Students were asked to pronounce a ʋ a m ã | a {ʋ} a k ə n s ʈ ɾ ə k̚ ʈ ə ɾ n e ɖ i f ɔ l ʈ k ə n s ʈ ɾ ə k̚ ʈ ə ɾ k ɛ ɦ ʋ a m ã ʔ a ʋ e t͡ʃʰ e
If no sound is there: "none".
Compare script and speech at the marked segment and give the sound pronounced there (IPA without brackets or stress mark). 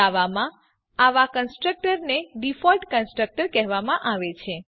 ʋ